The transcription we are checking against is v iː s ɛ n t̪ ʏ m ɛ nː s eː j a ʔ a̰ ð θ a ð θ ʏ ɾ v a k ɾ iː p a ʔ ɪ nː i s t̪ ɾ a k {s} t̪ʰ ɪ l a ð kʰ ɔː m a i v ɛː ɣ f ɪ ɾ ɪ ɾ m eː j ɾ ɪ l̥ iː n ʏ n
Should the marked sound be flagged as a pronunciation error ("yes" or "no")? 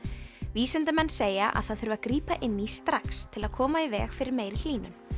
no